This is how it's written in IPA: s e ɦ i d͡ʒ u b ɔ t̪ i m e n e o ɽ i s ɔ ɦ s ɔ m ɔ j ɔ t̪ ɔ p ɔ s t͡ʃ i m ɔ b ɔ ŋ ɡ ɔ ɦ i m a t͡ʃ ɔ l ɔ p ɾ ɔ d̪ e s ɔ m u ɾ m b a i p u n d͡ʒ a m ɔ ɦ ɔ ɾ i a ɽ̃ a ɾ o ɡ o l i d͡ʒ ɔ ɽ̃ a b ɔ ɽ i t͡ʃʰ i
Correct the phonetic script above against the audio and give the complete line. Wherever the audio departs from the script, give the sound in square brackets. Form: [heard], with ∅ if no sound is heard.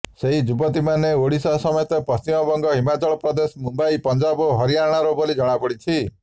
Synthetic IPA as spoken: s e ɦ i d͡ʒ u b ɔ t̪ i m [a] n e o ɽ i s ɔ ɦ s ɔ m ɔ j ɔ t̪ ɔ p ɔ s t͡ʃ i m ɔ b ɔ ŋ ɡ ɔ ɦ i m a t͡ʃ ɔ [ɭ] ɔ p ɾ ɔ d̪ e s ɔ m u [∅] m b a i p [ɔ] n d͡ʒ a [b] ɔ ɦ ɔ ɾ i a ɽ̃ a ɾ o [b] o l i d͡ʒ ɔ ɽ̃ a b ɔ ɽ i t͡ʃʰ i